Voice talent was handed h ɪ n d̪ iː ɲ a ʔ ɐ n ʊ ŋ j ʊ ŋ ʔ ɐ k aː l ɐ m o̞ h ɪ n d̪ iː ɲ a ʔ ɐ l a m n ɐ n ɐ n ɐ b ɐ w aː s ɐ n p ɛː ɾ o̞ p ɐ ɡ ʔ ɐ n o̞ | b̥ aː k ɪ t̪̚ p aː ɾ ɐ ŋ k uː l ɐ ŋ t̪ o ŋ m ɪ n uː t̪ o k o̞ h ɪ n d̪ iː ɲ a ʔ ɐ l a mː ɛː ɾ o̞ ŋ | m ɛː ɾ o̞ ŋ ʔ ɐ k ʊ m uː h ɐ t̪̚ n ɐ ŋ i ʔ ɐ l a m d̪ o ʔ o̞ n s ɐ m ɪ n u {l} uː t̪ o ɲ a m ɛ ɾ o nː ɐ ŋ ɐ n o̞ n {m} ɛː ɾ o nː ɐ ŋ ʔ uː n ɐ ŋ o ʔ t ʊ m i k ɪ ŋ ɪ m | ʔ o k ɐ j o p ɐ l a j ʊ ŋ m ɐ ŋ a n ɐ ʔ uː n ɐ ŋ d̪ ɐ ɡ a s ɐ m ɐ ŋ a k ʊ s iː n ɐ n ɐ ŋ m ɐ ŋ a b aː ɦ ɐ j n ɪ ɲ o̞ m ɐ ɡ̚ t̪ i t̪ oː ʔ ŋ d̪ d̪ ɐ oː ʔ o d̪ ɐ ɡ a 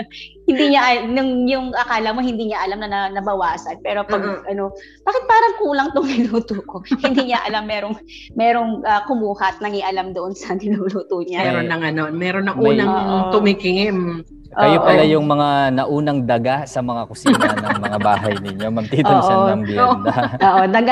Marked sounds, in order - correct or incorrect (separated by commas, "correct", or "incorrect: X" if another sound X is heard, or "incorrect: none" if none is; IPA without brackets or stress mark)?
correct, correct